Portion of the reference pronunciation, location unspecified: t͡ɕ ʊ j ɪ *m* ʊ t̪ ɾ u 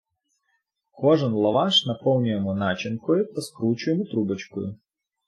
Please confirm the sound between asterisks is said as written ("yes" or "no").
yes